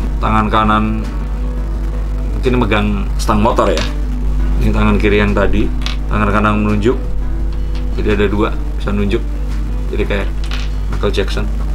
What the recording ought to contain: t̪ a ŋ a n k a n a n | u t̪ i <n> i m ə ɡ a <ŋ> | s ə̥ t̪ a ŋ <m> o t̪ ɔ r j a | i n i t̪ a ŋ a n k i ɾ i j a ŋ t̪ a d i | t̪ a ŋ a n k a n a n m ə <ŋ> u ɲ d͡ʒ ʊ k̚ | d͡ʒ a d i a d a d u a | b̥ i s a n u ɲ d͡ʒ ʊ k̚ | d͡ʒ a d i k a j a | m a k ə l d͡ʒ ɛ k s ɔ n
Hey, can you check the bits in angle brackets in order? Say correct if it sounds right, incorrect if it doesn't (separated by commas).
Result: correct, correct, correct, incorrect